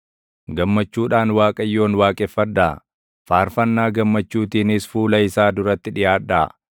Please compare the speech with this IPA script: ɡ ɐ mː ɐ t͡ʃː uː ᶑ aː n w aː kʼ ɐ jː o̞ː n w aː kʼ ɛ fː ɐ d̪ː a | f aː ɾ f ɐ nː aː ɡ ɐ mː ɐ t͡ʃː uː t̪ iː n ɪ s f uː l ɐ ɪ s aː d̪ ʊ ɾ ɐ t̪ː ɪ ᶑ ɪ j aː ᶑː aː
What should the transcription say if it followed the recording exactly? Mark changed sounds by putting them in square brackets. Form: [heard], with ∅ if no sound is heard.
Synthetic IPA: ɡ ɐ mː ɐ t͡ʃː uː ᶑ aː n w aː kʼ ɐ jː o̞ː n w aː kʼ ɛ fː ɐ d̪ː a | f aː ɾ f ɐ nː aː ɡ ɐ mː ɐ t͡ʃː uː t̪ iː n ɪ s f uː l ɐ ɪ s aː d̪ ʊ ɾ ɐ t̪ː ɪ ᶑ ɪ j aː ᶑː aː